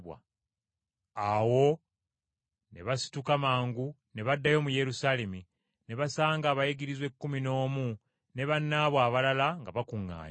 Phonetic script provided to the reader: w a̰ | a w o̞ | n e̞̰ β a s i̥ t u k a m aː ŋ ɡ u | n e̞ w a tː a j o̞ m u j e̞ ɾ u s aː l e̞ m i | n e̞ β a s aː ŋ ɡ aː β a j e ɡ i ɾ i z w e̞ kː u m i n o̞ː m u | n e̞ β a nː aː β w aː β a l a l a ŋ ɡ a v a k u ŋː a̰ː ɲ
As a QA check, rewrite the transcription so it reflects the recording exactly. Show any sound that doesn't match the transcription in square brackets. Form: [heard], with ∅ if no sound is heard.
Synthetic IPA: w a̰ | a w o̞ | n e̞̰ β a s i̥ t u k a m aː ŋ ɡ u | n e̞ [β] a [dː] a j o̞ m u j e̞ ɾ u s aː l e̞ m i | n e̞ β a s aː ŋ ɡ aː β a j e ɡ i ɾ i z w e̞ kː u m i n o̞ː m u | n e̞ β a nː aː β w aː β a l a l a ŋ ɡ a [β] a k u ŋː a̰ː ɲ